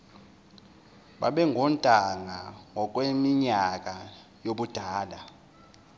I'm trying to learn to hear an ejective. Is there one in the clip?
yes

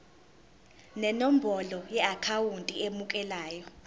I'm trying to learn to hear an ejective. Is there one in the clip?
yes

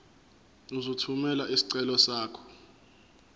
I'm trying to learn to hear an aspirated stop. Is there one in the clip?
yes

